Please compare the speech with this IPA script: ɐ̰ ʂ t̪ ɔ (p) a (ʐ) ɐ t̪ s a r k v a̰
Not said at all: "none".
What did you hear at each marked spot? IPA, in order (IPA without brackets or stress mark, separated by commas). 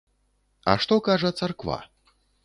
k, ʐ